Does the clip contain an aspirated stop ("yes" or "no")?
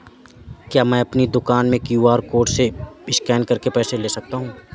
no